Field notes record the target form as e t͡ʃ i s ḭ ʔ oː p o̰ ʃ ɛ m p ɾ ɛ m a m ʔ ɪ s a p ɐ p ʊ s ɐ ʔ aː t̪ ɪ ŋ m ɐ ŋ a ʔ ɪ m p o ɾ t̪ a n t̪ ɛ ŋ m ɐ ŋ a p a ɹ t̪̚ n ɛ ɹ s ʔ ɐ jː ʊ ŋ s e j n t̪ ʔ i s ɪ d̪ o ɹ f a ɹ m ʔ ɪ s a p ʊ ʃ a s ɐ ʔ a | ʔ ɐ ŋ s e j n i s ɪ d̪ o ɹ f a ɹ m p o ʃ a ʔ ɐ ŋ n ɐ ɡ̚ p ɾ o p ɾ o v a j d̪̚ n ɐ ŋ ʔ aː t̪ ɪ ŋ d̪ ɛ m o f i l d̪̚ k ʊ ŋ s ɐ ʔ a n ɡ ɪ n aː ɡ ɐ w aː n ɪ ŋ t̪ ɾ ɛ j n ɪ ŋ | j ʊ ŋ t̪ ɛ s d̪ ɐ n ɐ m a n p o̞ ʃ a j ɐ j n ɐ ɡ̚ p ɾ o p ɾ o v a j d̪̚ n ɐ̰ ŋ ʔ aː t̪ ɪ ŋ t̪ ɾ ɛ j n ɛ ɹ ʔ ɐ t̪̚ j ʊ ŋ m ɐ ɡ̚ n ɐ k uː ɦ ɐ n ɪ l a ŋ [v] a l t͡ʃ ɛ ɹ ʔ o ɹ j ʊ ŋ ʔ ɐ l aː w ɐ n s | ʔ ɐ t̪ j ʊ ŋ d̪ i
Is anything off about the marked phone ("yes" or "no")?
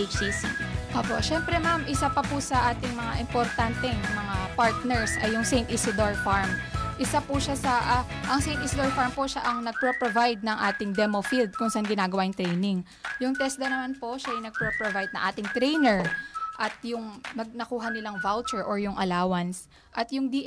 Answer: no